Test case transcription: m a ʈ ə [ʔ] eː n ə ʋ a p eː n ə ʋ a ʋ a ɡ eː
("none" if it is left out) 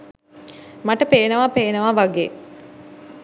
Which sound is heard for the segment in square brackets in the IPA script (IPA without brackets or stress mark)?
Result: p